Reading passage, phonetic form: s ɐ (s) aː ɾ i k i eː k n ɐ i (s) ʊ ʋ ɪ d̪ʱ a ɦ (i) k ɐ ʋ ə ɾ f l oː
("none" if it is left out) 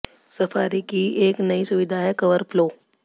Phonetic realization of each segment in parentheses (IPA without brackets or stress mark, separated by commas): f, s, ɛ